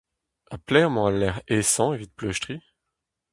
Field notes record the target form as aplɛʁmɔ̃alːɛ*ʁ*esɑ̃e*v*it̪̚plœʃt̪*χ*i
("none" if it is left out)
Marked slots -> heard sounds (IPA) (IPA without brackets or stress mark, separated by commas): ʁ, v, χ